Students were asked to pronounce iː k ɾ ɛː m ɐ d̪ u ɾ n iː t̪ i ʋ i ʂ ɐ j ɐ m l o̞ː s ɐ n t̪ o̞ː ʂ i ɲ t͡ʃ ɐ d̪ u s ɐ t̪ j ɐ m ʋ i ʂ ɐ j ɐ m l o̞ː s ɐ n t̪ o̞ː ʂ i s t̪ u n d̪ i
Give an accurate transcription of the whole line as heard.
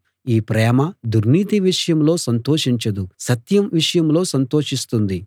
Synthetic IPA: iː p ɾ ɛː m ɐ d̪ u ɾ n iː t̪ i ʋ i ʂ ɐ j ɐ m l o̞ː s ɐ n t̪ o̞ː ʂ i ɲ t͡ʃ ɐ d̪ u s ɐ t̪ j ɐ m ʋ i ʂ ɐ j ɐ m l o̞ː s ɐ n t̪ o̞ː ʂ i s t̪ u n d̪ i